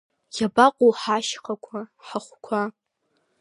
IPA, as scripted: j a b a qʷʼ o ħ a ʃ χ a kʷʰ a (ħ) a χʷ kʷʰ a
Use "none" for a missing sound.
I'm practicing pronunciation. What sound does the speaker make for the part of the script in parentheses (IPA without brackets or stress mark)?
ħ